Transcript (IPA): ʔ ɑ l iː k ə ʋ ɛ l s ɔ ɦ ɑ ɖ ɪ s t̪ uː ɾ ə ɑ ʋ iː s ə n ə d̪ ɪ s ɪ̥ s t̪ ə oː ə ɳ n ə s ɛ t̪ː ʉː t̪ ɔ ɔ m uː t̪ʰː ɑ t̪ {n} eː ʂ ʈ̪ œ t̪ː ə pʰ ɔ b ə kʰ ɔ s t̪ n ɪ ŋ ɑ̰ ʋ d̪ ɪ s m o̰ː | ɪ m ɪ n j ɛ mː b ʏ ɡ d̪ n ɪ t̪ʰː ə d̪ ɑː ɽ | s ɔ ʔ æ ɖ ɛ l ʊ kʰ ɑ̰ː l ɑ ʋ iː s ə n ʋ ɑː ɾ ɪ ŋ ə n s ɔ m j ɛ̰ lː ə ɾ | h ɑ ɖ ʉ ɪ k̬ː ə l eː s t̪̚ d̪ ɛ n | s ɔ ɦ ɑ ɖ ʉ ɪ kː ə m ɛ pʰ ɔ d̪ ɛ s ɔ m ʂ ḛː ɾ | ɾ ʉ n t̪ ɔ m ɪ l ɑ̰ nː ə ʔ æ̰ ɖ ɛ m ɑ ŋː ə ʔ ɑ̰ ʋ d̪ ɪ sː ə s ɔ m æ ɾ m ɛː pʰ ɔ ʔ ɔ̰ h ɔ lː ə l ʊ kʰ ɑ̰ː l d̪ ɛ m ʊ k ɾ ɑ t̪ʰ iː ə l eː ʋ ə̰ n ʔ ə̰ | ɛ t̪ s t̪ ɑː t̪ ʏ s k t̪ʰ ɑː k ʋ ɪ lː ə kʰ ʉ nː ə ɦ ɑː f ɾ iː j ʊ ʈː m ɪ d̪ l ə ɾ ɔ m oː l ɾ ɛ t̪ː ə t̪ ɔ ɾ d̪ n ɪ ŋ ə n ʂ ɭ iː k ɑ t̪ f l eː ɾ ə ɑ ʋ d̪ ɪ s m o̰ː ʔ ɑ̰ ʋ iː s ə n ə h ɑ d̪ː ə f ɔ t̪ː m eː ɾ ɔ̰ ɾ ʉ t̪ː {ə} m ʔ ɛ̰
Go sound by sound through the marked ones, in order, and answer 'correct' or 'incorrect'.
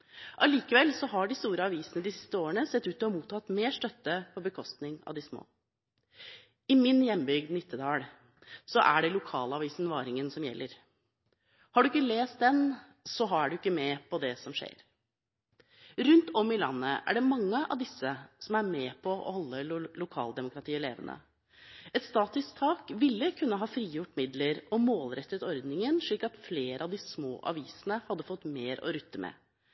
incorrect, correct

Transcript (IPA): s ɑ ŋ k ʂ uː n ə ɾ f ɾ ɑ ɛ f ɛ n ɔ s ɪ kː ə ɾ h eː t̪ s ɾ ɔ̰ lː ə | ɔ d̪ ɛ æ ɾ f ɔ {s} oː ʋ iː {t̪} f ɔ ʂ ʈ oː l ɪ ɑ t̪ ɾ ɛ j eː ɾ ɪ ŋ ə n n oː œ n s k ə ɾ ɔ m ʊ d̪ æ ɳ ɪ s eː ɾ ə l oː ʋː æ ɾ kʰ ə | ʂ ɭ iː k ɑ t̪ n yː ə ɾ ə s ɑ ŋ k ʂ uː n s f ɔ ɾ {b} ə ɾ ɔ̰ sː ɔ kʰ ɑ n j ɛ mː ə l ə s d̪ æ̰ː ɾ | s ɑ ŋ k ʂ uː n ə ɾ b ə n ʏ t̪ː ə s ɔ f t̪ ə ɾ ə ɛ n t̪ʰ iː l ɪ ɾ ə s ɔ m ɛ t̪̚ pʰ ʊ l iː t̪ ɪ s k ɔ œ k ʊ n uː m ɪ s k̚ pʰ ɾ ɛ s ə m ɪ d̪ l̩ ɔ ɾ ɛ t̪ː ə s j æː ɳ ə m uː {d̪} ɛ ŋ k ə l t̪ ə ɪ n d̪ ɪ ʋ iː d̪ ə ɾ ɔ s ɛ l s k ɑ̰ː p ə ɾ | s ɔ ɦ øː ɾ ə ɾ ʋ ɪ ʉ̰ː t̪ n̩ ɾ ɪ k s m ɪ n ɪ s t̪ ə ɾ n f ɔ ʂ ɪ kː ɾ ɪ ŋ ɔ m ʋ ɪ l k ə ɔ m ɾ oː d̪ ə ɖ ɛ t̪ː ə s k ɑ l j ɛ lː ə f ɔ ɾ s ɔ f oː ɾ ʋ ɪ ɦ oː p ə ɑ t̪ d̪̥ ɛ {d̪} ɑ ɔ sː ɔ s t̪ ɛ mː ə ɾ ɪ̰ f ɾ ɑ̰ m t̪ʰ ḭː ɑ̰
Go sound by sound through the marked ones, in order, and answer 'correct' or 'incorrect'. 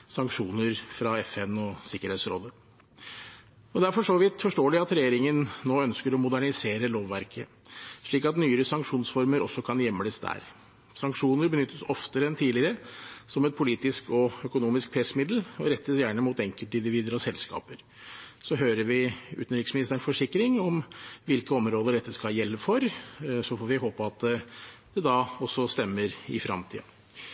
incorrect, correct, incorrect, incorrect, correct

